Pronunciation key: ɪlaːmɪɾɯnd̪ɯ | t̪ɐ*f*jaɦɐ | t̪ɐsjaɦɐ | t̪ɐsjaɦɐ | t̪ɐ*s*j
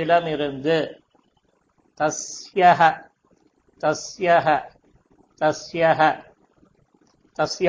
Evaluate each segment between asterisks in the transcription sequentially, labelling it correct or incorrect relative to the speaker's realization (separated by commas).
incorrect, correct